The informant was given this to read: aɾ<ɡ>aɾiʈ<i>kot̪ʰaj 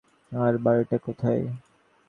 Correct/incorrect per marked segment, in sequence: incorrect: b, incorrect: a

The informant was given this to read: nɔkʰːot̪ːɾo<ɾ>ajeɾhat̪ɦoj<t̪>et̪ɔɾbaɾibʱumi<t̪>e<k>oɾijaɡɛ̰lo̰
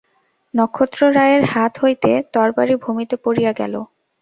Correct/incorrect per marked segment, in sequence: correct, correct, correct, incorrect: p

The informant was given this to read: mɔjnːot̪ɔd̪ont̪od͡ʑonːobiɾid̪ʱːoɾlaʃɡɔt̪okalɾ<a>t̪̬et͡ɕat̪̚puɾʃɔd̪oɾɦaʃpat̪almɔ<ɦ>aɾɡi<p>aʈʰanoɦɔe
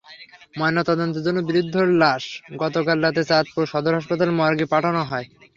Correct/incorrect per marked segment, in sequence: correct, incorrect: none, correct

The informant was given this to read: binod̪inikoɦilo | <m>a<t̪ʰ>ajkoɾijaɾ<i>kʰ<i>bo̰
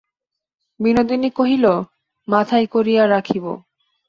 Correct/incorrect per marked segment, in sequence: correct, correct, incorrect: a, correct

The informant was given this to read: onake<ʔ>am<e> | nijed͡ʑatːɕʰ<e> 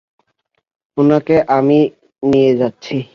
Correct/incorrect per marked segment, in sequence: correct, incorrect: i, incorrect: i

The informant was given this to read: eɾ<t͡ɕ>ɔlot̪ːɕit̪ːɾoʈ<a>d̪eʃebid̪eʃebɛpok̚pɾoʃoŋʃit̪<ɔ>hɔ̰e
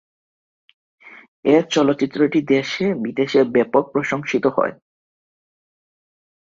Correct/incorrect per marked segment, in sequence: correct, incorrect: i, incorrect: o

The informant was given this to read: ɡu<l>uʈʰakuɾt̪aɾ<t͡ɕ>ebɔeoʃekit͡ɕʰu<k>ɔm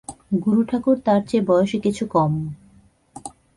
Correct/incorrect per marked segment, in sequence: incorrect: ɾ, correct, correct

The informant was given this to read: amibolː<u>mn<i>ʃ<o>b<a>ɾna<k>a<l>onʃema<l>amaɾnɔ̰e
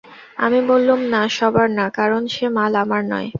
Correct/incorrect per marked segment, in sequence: correct, incorrect: a, incorrect: ɔ, correct, correct, incorrect: ɾ, correct

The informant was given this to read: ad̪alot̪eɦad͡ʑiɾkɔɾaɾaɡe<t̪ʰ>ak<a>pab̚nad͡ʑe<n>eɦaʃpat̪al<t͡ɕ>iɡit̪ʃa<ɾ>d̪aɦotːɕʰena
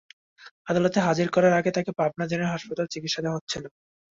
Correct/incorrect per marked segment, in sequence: incorrect: t̪, incorrect: e, correct, correct, incorrect: none

